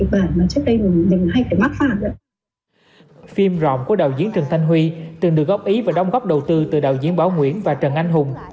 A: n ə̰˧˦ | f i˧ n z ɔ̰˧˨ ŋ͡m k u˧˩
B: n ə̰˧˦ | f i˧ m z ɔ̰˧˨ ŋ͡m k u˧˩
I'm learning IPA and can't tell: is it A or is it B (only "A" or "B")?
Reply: B